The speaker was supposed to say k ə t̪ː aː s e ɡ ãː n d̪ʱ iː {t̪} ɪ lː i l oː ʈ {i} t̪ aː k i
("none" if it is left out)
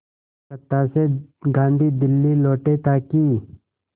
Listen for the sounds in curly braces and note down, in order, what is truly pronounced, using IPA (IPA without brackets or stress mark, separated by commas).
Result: d̪, e